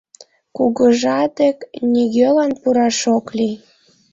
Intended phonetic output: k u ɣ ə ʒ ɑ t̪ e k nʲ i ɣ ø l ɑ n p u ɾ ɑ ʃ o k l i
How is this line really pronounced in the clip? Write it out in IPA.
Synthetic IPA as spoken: k u ɣ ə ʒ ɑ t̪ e k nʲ i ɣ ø l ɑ n p u ɾ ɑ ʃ o k l i